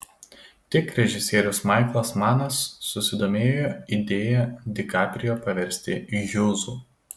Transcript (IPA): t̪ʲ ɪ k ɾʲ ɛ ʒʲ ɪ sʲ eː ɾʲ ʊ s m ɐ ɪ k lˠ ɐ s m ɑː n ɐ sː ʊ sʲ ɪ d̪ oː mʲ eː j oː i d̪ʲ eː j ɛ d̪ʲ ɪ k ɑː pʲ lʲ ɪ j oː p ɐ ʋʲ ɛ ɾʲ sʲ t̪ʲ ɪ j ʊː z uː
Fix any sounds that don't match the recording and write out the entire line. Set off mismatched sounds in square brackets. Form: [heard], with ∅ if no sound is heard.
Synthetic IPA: t̪ʲ ɪ k ɾʲ ɛ ʒʲ ɪ sʲ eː ɾʲ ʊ s m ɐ ɪ k lˠ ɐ s m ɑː n ɐ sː ʊ sʲ ɪ d̪ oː mʲ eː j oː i d̪ʲ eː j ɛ d̪ʲ ɪ k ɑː pʲ [ɾʲ] ɪ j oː p ɐ ʋʲ ɛ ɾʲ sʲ t̪ʲ ɪ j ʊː z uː

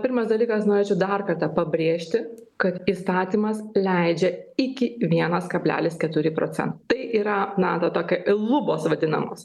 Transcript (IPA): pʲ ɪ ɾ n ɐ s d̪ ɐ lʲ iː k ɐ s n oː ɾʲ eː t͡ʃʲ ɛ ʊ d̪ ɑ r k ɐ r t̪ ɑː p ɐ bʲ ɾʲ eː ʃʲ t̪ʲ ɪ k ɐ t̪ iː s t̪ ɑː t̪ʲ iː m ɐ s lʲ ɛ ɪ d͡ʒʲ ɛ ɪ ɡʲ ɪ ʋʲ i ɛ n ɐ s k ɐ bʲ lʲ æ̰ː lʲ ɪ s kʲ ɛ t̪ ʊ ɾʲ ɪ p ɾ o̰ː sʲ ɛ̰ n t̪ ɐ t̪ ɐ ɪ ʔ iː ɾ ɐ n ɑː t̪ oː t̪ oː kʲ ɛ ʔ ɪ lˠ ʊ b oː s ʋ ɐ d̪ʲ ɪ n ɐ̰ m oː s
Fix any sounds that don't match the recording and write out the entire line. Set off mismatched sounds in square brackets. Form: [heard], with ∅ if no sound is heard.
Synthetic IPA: pʲ ɪ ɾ [m] ɐ s d̪ ɐ lʲ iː k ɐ s n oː ɾʲ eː t͡ʃʲ ɛ ʊ d̪ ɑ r k ɐ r t̪ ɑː p ɐ bʲ ɾʲ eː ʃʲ t̪ʲ ɪ k ɐ t̪ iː s t̪ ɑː t̪ʲ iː m ɐ s lʲ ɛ ɪ d͡ʒʲ ɛ ɪ [kʲ] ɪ ʋʲ i ɛ n ɐ s k ɐ bʲ lʲ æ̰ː lʲ ɪ s kʲ ɛ t̪ ʊ ɾʲ ɪ p ɾ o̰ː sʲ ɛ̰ n t̪ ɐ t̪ ɐ ɪ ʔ iː ɾ ɐ n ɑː t̪ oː t̪ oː kʲ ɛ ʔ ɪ lˠ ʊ b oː s ʋ ɐ d̪ʲ ɪ n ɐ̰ m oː s

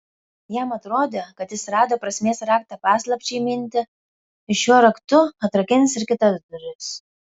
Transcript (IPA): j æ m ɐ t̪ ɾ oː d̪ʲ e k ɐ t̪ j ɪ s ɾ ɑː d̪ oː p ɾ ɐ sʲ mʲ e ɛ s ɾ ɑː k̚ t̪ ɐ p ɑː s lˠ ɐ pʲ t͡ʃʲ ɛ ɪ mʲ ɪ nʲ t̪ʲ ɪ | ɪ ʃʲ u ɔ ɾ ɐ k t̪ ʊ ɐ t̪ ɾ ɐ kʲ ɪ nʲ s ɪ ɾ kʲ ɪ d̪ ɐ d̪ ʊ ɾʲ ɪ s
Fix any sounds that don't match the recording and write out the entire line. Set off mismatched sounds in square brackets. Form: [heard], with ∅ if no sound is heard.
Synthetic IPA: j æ m ɐ t̪ ɾ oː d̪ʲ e k ɐ t̪ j ɪ s ɾ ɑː d̪ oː p ɾ ɐ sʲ mʲ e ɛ s ɾ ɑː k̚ t̪ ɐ p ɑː s lˠ ɐ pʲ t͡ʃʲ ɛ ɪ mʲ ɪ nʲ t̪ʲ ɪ | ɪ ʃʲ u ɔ ɾ ɐ k t̪ ʊ ɐ t̪ ɾ ɐ kʲ ɪ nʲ s ɪ ɾ kʲ ɪ [t̪] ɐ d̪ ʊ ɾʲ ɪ s

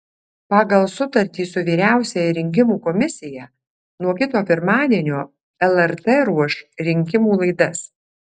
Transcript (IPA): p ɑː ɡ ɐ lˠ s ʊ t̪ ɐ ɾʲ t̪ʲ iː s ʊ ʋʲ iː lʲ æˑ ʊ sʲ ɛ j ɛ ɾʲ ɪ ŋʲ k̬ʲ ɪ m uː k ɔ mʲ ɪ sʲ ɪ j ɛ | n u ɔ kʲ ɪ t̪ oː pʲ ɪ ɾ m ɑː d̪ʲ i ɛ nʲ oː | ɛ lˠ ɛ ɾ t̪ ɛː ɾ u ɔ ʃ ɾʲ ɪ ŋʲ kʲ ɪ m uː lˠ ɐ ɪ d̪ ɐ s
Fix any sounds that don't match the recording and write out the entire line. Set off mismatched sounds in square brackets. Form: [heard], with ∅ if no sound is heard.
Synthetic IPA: p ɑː ɡ ɐ lˠ s ʊ t̪ ɐ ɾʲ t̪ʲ iː s ʊ ʋʲ iː [ɾʲ] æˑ ʊ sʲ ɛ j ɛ ɾʲ ɪ ŋʲ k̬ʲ ɪ m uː k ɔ mʲ ɪ sʲ ɪ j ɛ | n u ɔ kʲ ɪ t̪ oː pʲ ɪ ɾ m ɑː d̪ʲ i ɛ nʲ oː | ɛ lˠ ɛ ɾ t̪ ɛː ɾ u ɔ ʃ ɾʲ ɪ ŋʲ kʲ ɪ m uː lˠ ɐ ɪ d̪ ɐ s

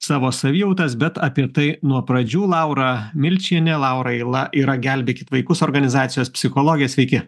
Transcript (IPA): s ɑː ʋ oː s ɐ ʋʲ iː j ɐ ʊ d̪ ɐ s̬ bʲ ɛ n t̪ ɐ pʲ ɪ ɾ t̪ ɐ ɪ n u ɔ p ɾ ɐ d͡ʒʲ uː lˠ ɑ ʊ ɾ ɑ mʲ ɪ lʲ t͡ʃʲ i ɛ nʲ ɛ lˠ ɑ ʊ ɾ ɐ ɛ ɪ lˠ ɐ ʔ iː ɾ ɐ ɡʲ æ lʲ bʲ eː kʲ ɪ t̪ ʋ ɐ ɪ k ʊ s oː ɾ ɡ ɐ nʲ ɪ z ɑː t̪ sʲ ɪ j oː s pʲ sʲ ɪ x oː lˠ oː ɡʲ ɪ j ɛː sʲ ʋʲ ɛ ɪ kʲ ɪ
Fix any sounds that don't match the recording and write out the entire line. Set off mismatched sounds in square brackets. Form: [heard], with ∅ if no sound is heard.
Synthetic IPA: s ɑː ʋ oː s ɐ ʋʲ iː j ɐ ʊ [t̪] ɐ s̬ bʲ ɛ [∅] t̪ ɐ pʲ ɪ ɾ t̪ ɐ ɪ n u ɔ p ɾ ɐ d͡ʒʲ uː lˠ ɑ ʊ ɾ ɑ mʲ ɪ lʲ t͡ʃʲ i ɛ nʲ ɛ lˠ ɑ ʊ ɾ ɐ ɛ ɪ lˠ ɐ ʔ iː ɾ ɐ ɡʲ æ lʲ bʲ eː kʲ ɪ t̪ ʋ ɐ ɪ k ʊ s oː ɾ ɡ ɐ nʲ ɪ z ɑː t̪ sʲ ɪ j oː s pʲ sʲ ɪ x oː lˠ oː ɡʲ ɪ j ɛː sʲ ʋʲ ɛ ɪ kʲ ɪ

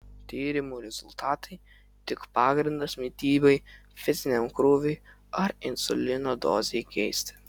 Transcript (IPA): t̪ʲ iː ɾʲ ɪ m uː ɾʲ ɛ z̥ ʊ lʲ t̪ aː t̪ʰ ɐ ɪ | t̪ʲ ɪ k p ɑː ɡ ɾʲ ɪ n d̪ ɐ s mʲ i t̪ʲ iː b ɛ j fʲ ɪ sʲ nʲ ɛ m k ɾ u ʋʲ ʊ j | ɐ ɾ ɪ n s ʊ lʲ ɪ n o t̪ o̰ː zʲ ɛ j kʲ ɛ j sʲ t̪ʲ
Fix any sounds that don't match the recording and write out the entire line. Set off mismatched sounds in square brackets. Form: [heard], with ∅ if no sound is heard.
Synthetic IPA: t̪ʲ iː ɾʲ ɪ m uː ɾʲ ɛ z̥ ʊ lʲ t̪ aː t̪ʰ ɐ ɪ | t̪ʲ ɪ k p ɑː ɡ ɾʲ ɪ n d̪ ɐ s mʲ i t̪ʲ iː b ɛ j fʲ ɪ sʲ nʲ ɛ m k ɾ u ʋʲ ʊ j | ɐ ɾ ɪ n s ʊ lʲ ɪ n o [d̪] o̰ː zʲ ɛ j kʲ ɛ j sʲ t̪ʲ

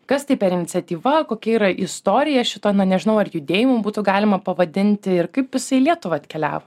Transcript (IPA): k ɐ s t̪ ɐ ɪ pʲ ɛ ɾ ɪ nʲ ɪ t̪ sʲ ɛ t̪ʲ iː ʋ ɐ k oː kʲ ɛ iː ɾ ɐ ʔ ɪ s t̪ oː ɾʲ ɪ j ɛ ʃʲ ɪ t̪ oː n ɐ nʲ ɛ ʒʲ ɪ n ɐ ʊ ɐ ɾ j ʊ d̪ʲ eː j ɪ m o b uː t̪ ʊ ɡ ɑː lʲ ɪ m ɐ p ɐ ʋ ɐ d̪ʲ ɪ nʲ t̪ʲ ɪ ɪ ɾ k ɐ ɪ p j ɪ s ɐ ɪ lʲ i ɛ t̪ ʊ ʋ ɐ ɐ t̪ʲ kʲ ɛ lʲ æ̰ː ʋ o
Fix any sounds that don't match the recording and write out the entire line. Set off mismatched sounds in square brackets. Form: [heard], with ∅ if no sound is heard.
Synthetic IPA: k ɐ s t̪ ɐ ɪ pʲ ɛ ɾ ɪ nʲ ɪ t̪ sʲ ɛ t̪ʲ iː ʋ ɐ k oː kʲ ɛ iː ɾ ɐ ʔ ɪ s t̪ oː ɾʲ ɪ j ɛ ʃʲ ɪ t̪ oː n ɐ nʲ ɛ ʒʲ ɪ n ɐ ʊ ɐ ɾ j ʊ d̪ʲ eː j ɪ m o b uː t̪ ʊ ɡ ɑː lʲ ɪ m ɐ p ɐ ʋ ɐ d̪ʲ ɪ nʲ t̪ʲ ɪ ɪ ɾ k ɐ ɪ p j ɪ s ɐ ɪ lʲ i ɛ t̪ ʊ ʋ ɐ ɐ t̪ʲ kʲ ɛ lʲ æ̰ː ʋ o

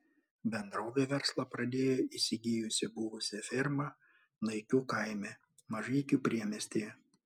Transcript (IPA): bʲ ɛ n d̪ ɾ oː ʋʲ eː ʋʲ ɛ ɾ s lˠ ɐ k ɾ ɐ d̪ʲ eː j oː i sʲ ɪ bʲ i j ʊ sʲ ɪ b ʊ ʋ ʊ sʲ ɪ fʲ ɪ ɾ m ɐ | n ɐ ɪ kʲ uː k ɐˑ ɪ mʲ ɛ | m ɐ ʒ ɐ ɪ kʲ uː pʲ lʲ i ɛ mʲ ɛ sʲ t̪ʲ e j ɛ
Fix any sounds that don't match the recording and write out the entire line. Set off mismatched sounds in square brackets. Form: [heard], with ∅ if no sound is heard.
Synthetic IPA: bʲ ɛ n d̪ ɾ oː ʋʲ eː ʋʲ ɛ ɾ s lˠ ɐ [p] ɾ ɐ d̪ʲ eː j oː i sʲ ɪ [ɡʲ] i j ʊ sʲ ɪ b ʊ ʋ ʊ sʲ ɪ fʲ ɪ ɾ m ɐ | n ɐ ɪ kʲ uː k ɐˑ ɪ mʲ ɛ | m ɐ ʒ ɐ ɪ kʲ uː pʲ [ɾʲ] i ɛ mʲ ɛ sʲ t̪ʲ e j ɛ

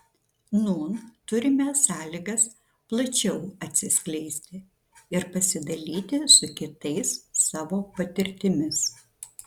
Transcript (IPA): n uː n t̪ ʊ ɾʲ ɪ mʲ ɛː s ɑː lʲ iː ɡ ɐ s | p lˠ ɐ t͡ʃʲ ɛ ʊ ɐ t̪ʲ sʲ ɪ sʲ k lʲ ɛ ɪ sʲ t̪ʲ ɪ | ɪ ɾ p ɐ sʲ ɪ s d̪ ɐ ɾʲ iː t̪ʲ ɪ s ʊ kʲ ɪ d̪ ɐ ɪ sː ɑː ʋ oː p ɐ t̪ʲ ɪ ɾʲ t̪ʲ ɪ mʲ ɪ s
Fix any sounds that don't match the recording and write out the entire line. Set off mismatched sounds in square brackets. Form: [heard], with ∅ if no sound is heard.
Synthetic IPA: n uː n t̪ ʊ ɾʲ ɪ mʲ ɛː s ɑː lʲ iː ɡ ɐ s | p lˠ ɐ t͡ʃʲ ɛ ʊ ɐ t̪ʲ sʲ ɪ sʲ k lʲ ɛ ɪ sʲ t̪ʲ ɪ | ɪ ɾ p ɐ sʲ ɪ [∅] d̪ ɐ [lʲ] iː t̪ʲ ɪ s ʊ kʲ ɪ [t̪] ɐ ɪ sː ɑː ʋ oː p ɐ t̪ʲ ɪ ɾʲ t̪ʲ ɪ mʲ ɪ s

